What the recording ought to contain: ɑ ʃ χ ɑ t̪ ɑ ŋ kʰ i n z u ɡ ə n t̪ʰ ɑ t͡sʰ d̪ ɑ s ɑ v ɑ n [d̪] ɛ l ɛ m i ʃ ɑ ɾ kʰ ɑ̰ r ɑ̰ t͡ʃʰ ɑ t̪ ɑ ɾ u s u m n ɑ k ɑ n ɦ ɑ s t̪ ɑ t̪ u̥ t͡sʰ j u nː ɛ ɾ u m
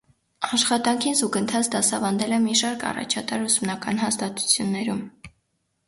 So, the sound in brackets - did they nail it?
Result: yes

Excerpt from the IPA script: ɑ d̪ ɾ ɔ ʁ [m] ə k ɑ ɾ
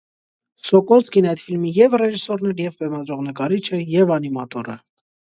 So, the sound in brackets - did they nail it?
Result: no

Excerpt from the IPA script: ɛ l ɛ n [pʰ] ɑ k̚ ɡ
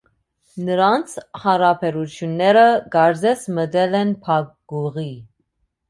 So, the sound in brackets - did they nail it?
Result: yes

